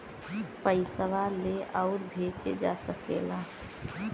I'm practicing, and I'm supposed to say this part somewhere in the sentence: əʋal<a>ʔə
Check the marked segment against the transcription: incorrect: e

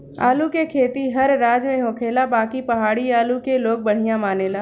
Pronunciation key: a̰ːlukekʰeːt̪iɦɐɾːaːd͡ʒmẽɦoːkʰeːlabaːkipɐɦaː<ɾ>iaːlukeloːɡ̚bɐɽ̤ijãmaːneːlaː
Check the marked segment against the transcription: incorrect: ɽ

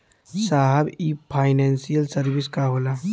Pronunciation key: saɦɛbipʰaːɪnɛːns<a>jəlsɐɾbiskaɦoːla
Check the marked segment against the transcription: incorrect: i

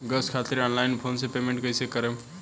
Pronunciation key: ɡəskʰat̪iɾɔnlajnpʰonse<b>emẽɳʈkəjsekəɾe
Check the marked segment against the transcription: incorrect: p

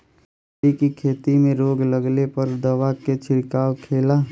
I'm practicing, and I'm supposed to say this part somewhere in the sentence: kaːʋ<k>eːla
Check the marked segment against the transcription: incorrect: kʰ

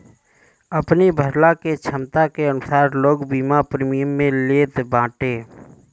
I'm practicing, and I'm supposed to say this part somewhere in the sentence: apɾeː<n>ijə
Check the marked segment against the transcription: incorrect: m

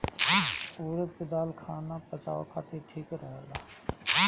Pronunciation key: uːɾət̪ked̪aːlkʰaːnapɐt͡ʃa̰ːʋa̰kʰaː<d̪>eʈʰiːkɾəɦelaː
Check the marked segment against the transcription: incorrect: t̪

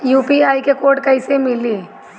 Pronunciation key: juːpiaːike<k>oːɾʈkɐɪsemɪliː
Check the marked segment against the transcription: correct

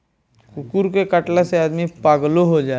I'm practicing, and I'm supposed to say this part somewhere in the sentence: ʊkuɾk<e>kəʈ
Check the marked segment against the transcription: correct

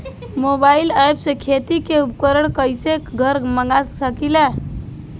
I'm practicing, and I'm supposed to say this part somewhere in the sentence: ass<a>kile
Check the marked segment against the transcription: incorrect: ə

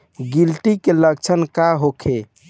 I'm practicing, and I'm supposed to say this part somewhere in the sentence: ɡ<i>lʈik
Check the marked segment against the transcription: correct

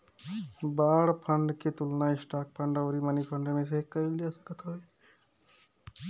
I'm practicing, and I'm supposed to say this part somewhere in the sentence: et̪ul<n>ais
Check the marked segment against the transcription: correct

